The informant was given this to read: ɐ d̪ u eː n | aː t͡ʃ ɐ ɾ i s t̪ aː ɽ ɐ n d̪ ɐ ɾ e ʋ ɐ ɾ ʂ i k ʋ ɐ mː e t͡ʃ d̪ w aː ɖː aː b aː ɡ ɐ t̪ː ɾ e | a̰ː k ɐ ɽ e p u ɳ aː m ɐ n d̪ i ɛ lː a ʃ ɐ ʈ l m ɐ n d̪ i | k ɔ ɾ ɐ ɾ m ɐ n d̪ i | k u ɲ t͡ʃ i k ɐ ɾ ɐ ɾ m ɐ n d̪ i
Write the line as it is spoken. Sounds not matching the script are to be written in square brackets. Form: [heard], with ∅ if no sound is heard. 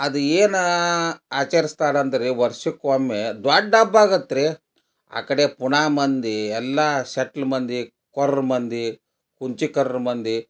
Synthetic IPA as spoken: ɐ d̪ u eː n | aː t͡ʃ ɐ ɾ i s t̪ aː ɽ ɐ n d̪ ɐ ɾ e ʋ ɐ ɾ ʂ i k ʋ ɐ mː e [∅] d̪ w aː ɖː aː b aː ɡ ɐ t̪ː ɾ e | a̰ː k ɐ ɽ e p u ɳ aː m ɐ n d̪ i ɛ lː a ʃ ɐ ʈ l m ɐ n d̪ i | k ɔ ɾ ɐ ɾ m ɐ n d̪ i | k u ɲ t͡ʃ i k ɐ ɾ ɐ ɾ m ɐ n d̪ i